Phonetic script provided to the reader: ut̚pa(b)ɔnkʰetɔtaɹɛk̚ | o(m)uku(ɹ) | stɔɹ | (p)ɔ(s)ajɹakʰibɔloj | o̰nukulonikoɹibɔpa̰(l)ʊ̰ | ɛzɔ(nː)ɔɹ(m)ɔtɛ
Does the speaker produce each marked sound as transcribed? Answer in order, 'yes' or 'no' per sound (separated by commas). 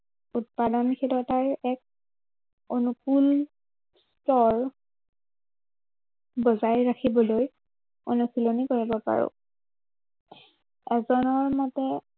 no, no, no, no, no, no, no, yes